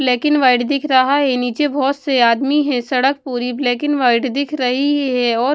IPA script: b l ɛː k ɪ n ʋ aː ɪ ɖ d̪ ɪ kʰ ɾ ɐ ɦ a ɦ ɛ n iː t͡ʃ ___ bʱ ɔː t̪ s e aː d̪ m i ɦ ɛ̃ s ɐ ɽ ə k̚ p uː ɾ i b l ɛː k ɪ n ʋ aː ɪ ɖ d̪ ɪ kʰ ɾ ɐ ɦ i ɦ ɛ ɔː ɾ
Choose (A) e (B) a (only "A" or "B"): A